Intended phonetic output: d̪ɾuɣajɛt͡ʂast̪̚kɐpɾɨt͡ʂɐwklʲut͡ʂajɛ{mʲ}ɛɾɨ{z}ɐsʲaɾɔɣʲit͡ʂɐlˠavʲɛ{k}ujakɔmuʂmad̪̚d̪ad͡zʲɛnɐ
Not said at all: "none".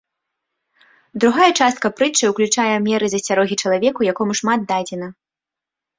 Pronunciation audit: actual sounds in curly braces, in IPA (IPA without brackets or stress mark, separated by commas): mʲ, z, k